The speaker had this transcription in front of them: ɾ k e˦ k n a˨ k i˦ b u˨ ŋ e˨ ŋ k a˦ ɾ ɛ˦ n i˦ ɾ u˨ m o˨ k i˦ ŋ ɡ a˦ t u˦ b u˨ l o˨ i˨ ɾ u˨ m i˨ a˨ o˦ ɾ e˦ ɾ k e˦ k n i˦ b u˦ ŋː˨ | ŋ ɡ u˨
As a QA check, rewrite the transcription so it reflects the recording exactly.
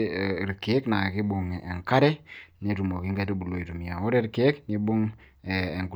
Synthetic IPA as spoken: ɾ k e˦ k n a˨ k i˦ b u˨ ŋ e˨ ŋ k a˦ ɾ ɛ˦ n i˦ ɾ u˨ m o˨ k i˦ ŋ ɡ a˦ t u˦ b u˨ l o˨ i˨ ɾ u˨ m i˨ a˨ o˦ ɾ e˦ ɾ k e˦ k n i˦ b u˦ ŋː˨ | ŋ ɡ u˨